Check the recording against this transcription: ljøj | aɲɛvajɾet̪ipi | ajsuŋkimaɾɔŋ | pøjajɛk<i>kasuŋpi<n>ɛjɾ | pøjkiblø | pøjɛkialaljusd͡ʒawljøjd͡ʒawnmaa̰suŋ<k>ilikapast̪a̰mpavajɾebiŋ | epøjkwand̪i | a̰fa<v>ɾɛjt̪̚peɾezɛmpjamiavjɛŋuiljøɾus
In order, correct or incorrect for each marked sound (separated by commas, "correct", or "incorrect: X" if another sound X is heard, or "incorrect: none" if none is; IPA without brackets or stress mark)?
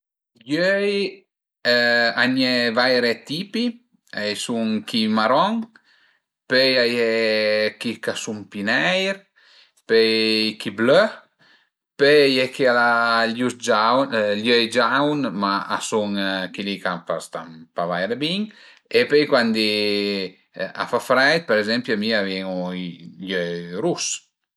correct, correct, correct, incorrect: f